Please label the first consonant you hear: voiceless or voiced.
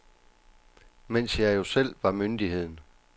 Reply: voiced